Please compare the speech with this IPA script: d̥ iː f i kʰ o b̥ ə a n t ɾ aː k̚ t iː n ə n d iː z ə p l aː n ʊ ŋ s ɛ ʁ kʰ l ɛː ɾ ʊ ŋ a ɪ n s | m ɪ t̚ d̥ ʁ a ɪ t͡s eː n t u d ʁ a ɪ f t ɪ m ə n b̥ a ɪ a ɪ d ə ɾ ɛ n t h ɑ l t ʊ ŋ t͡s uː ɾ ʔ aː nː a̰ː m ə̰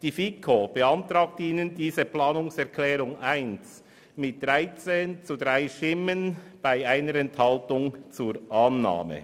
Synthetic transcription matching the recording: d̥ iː f i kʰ o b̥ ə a n t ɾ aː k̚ t iː n ə n d iː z ə p l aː n ʊ ŋ s ɛ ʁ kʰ l ɛː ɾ ʊ ŋ a ɪ n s | m ɪ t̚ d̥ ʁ a ɪ t͡s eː n t͡s u d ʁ a ɪ ʃ t ɪ m ə n b̥ a ɪ a ɪ n ə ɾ ɛ n t h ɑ l t ʊ ŋ t͡s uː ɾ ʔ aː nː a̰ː m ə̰